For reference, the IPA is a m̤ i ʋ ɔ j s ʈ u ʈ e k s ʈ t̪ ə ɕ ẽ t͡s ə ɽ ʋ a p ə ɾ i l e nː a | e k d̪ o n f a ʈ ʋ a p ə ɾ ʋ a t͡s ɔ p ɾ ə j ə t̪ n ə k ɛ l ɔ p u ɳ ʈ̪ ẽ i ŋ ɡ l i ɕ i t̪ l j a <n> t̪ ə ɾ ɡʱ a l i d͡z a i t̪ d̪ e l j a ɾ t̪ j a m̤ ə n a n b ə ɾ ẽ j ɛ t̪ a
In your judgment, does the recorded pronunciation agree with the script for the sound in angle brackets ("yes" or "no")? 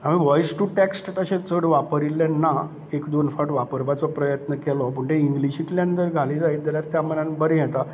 yes